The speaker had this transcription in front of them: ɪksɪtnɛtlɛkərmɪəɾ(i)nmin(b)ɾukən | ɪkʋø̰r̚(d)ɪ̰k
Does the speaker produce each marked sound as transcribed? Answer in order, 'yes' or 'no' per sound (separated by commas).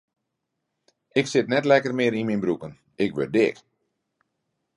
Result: yes, yes, yes